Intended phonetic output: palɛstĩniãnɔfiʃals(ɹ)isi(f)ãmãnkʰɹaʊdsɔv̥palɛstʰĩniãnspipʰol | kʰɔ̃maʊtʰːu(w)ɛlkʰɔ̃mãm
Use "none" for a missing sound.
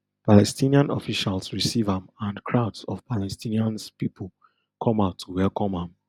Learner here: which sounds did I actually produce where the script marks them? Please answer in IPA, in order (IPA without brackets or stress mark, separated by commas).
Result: ɹ, v, w